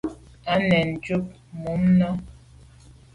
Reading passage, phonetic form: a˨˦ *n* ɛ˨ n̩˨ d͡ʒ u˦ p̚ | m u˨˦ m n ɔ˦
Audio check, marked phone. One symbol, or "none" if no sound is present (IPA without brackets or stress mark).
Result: n